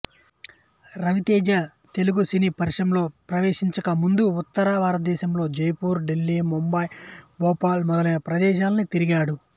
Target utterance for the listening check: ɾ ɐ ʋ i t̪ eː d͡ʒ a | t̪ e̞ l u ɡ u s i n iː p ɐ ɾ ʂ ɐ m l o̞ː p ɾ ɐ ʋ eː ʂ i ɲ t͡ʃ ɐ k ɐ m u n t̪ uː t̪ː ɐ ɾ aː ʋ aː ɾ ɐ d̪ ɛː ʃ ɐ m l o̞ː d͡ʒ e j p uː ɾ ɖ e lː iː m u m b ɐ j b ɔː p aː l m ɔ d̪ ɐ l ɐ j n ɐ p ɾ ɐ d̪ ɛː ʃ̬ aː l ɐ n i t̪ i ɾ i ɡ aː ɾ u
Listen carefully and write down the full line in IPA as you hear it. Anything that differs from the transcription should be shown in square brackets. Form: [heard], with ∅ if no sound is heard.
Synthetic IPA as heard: ɾ ɐ ʋ i t̪ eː d͡ʒ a | t̪ e̞ l u ɡ u s i n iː p ɐ ɾ ʂ ɐ m l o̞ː p ɾ ɐ ʋ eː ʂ i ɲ t͡ʃ ɐ k ɐ m u n [d̪] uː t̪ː ɐ ɾ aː ʋ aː ɾ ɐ d̪ ɛː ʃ ɐ m l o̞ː d͡ʒ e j p uː ɾ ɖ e lː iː m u m b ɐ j b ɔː p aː l m ɔ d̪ ɐ l ɐ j n ɐ p ɾ ɐ d̪ ɛː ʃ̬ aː l ɐ n i t̪ i ɾ i ɡ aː [ɽ] u